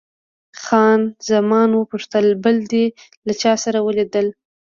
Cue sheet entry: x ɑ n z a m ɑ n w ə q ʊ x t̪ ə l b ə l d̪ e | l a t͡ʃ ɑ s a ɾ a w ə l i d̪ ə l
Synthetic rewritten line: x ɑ n z a m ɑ n w ə p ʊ ʂ t̪ ə l b ə l d̪ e | l a t͡ʃ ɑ s a ɾ a w ə l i d̪ ə l